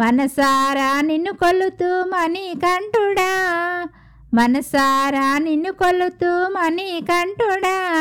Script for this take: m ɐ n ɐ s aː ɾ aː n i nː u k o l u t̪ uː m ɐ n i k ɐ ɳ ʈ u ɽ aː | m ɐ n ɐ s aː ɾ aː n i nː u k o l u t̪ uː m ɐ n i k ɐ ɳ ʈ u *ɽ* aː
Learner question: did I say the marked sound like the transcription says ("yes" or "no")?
yes